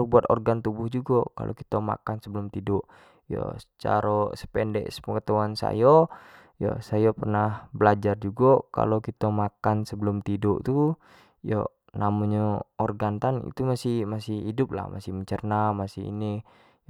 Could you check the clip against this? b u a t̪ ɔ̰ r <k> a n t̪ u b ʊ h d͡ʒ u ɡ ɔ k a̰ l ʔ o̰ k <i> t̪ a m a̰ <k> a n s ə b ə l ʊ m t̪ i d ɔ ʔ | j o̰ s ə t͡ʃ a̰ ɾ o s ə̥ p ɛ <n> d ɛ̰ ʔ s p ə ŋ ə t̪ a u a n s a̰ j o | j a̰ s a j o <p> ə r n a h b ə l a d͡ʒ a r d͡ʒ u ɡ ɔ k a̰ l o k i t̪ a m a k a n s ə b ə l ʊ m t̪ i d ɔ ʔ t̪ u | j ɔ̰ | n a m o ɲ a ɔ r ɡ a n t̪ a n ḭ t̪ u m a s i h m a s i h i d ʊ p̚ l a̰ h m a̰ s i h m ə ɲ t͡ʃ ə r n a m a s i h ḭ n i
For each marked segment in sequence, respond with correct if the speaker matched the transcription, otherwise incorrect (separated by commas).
incorrect, correct, correct, correct, correct